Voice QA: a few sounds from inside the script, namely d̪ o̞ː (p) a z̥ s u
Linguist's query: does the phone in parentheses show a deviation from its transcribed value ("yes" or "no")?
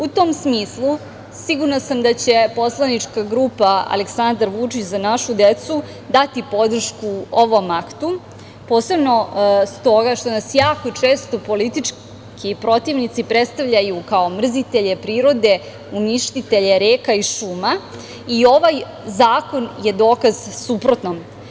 yes